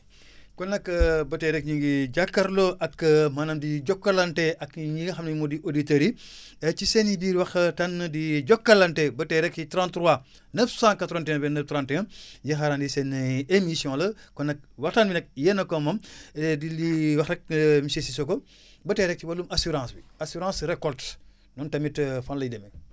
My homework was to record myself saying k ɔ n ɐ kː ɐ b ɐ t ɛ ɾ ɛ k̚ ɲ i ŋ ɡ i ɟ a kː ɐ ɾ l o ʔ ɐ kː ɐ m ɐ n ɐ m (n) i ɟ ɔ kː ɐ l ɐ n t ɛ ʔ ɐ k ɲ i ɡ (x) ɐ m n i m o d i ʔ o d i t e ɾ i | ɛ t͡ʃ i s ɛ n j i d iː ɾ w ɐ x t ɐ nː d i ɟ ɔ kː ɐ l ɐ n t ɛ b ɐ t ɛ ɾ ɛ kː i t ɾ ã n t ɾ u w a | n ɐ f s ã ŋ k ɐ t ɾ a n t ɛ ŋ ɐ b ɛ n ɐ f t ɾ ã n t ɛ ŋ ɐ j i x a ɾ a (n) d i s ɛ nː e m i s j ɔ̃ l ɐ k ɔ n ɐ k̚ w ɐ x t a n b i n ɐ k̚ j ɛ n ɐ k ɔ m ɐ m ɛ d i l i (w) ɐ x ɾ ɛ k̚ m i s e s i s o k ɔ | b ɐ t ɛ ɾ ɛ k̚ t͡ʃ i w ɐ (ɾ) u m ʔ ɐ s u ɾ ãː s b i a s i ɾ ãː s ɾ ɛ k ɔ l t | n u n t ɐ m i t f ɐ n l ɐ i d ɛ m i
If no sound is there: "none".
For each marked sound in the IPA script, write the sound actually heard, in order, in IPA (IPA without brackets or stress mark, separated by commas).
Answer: d, x, n, w, l